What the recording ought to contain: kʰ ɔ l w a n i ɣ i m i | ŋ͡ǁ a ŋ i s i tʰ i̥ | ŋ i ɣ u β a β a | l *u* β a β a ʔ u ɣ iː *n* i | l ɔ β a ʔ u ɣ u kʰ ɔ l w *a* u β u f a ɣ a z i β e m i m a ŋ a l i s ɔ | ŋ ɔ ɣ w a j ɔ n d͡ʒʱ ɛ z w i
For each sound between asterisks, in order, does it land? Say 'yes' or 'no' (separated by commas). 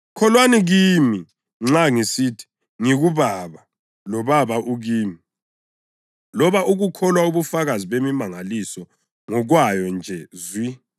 no, no, yes